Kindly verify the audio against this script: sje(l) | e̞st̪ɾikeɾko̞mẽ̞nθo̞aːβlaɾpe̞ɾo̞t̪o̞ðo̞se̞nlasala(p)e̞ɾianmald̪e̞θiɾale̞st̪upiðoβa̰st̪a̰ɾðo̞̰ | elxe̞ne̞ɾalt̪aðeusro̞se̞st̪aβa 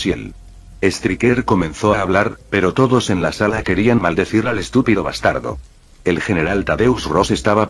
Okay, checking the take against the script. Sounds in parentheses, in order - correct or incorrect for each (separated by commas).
correct, incorrect